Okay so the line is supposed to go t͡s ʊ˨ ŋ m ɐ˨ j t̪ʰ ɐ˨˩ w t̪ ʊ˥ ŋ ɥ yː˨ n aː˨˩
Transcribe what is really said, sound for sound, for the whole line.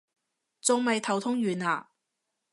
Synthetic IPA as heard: t͡s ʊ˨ ŋ m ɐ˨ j t̪ʰ ɐ˨˩ w t̪ʰ ʊ˥ ŋ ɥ yː˨ n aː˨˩